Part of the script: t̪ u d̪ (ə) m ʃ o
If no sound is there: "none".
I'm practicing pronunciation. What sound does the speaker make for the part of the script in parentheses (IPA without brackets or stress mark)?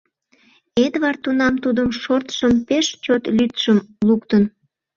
ə